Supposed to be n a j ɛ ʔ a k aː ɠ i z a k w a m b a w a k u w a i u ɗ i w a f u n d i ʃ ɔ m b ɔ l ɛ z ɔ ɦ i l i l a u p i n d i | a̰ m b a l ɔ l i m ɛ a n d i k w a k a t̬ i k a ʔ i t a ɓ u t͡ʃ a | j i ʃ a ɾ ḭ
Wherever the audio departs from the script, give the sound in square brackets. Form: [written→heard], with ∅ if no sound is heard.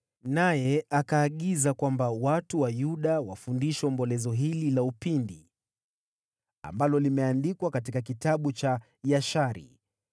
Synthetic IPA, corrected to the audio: n a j ɛ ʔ a k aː ɠ i z a k w a m b a w a [k→t] u w a [i→j] u ɗ [i→a] w a f u n d i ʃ ɔ m b ɔ l ɛ z ɔ ɦ i l i l a u p i n d i | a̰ m b a l ɔ l i m ɛ a n d i k w a k a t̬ i k a [ʔ→k] i t a ɓ u t͡ʃ a | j [i→a] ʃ a ɾ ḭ